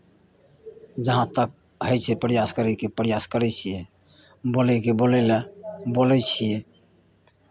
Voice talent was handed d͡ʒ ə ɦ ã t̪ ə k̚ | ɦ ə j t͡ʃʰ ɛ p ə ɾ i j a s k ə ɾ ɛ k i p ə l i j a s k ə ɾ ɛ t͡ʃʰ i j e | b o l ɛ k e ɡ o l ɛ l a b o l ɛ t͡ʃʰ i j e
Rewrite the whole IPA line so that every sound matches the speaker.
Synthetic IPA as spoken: d͡ʒ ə ɦ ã t̪ ə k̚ | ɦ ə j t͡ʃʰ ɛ p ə ɾ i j a s k ə ɾ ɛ k e p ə ɾ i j a s k ə ɾ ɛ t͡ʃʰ i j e | b o l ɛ k e b o l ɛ l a b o l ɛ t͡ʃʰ i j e